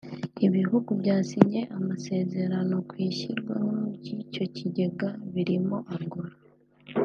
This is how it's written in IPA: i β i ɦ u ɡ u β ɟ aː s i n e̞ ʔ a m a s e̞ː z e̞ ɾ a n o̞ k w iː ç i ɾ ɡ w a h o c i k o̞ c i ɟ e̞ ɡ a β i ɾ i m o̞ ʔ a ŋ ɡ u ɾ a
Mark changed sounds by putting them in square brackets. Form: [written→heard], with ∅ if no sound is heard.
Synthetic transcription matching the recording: i β i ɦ u ɡ u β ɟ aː s i [n→ɲ] e̞ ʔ a m a s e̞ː z e̞ ɾ a n o̞ k w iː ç i ɾ ɡ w a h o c i [k→c] o̞ c i ɟ e̞ ɡ a β i ɾ i m o̞ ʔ a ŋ ɡ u ɾ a